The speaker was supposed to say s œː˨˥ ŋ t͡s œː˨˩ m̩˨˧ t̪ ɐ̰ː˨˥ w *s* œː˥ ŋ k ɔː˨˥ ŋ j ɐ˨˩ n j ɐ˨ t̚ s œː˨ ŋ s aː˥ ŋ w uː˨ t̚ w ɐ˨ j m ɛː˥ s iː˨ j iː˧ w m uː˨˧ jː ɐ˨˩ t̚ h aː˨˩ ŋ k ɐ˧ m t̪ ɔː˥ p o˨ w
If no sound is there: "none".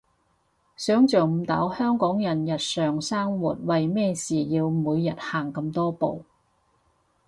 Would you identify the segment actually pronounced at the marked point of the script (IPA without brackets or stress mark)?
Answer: h